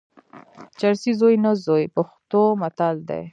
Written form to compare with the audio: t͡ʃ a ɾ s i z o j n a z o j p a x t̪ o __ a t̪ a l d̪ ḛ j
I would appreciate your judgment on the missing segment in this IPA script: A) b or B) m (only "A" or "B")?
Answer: B